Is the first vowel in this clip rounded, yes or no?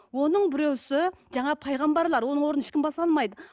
yes